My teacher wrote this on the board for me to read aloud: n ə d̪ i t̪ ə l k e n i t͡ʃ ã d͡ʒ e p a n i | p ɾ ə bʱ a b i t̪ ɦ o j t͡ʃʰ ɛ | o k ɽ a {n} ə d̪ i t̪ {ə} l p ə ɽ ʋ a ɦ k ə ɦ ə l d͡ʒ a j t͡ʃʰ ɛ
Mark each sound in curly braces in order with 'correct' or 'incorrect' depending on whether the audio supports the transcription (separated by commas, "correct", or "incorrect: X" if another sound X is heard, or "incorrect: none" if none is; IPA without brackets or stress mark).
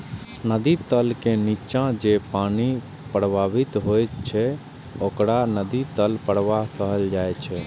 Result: correct, correct